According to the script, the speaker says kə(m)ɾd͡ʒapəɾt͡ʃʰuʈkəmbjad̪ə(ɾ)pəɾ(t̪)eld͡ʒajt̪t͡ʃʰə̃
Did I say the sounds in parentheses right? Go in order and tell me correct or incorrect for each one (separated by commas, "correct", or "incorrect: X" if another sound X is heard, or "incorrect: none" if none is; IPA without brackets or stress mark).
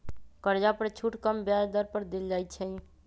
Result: incorrect: none, correct, incorrect: d̪